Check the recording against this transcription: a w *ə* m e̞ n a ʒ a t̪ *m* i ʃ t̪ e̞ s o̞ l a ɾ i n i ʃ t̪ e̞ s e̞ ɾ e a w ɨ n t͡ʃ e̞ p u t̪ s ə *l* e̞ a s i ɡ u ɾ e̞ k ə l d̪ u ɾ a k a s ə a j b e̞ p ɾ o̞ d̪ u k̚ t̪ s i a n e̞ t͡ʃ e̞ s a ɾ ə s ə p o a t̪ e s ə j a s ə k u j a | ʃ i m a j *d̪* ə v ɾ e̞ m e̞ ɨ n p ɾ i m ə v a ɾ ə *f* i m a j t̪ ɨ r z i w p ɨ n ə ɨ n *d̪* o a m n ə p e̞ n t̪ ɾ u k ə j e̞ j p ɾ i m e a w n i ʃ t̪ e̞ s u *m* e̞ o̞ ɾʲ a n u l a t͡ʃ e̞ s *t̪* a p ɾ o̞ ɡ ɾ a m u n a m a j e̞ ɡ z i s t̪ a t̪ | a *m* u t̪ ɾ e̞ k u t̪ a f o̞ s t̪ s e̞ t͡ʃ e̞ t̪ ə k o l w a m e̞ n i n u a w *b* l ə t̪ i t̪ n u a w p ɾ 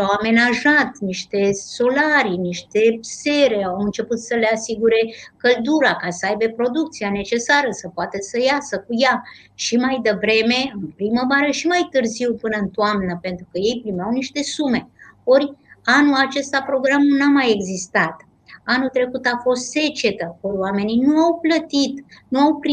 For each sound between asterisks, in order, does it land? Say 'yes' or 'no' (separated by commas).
no, no, yes, yes, no, no, yes, yes, no, no